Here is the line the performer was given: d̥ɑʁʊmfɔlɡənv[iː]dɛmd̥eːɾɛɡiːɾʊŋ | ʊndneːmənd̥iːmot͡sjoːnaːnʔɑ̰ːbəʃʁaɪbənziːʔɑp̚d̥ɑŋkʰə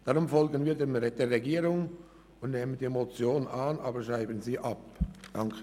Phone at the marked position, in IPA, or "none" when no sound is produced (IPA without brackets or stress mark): iː